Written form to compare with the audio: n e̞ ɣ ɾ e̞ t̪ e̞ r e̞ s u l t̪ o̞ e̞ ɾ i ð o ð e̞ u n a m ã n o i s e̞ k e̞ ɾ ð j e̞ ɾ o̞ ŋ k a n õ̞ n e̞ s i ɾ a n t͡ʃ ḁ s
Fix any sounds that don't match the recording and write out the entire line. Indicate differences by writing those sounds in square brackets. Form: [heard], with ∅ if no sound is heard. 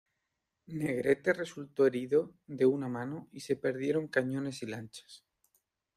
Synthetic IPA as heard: n e̞ ɣ ɾ e̞ t̪ e̞ r e̞ s u l t̪ o̞ e̞ ɾ i ð o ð e̞ u n a m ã n o i s e̞ [p] e̞ ɾ ð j e̞ ɾ o̞ ŋ k a [ɲ] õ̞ n e̞ s i [l] a n t͡ʃ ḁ s